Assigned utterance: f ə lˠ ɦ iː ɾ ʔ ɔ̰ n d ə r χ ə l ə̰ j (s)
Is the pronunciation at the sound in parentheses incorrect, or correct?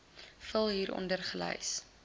correct